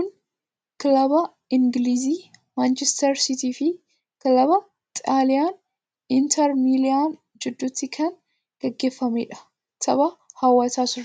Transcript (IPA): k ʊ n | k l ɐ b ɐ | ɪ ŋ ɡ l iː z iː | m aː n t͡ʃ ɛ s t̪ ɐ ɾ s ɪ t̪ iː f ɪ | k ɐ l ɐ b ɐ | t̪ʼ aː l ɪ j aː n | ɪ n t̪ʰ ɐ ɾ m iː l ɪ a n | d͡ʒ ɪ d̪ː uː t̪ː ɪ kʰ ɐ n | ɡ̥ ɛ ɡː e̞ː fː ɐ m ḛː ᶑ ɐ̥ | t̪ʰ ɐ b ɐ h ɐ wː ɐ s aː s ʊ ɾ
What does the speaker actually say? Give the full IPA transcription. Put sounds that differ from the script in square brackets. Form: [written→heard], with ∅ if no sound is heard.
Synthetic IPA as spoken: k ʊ n | k l ɐ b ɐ | ɪ ŋ ɡ l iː z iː | m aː n t͡ʃ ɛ s t̪ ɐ ɾ s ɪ t̪ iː f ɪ | k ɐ l ɐ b ɐ | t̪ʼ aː l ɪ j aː n | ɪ n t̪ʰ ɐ ɾ m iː l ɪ a n | d͡ʒ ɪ d̪ː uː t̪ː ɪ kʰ ɐ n | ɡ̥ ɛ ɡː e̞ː fː ɐ m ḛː ᶑ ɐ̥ | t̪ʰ ɐ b ɐ h ɐ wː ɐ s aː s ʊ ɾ